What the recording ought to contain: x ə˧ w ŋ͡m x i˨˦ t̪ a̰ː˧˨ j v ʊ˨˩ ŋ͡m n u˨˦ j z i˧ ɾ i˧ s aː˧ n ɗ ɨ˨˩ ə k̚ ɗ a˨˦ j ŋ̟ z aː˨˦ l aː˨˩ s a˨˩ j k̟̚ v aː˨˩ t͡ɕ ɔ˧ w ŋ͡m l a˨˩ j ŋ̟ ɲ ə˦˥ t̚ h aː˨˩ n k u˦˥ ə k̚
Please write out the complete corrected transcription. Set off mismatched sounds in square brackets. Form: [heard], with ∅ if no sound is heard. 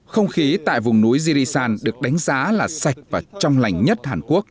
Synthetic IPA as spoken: x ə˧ w ŋ͡m x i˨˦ t̪ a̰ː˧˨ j v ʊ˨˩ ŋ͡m n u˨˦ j z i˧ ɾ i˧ s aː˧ n ɗ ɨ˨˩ ə k̚ ɗ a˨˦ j ŋ̟ z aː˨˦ l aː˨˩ s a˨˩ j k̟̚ v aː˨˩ t͡ɕ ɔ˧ w ŋ͡m l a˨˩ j ŋ̟ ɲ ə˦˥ t̚ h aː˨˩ n k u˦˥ ə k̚